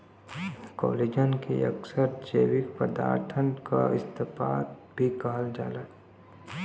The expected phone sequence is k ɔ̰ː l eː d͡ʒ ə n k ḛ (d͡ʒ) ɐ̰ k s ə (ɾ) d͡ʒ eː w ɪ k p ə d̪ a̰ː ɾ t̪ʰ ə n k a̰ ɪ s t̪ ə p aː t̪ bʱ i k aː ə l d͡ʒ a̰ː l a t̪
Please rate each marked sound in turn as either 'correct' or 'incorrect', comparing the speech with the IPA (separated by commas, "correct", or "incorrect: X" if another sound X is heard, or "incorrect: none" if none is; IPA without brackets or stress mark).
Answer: incorrect: none, correct